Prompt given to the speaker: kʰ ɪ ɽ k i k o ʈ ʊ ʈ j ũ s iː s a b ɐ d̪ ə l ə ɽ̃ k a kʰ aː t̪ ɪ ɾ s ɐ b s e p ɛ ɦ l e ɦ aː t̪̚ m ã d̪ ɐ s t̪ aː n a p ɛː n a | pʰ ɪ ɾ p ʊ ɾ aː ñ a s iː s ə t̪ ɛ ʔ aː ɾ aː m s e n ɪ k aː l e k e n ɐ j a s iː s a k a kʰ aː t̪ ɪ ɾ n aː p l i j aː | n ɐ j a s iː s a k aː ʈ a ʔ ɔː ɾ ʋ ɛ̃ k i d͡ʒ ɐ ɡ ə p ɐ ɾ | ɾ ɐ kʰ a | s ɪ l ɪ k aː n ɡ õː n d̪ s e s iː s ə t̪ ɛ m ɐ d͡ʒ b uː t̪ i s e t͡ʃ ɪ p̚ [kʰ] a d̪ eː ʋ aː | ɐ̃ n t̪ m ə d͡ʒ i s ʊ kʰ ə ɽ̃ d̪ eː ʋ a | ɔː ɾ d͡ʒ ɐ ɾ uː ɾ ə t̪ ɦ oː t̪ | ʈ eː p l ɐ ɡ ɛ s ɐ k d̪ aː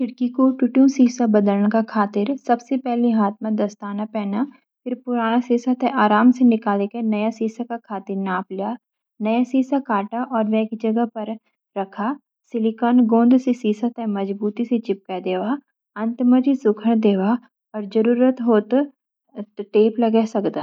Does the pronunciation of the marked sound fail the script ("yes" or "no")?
yes